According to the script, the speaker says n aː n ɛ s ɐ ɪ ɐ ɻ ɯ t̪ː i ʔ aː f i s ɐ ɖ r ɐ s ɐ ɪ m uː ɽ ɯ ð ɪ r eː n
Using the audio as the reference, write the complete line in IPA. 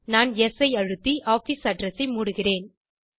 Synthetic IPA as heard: n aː n ɛ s ɐ ɪ ɐ ɻ ɯ t̪ː i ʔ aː f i s ɐ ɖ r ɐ s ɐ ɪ m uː ɽ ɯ ɣ ɪ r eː n